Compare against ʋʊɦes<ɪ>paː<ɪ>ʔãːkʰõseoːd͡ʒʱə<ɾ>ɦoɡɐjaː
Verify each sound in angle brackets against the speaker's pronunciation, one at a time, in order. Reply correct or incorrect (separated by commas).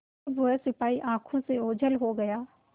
correct, incorrect, incorrect